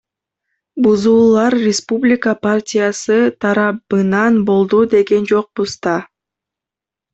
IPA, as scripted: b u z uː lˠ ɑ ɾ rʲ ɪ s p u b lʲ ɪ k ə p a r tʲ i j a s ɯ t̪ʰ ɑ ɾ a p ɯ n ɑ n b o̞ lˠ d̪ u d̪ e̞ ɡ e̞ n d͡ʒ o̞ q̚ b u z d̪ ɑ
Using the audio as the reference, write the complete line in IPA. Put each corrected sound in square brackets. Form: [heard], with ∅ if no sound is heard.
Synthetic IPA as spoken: b u z uː lˠ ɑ ɾ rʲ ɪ s p u b lʲ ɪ k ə p a r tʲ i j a s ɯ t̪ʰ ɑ ɾ [ɑ] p ɯ n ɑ n b o̞ lˠ d̪ u d̪ e̞ ɡ e̞ n d͡ʒ o̞ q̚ b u z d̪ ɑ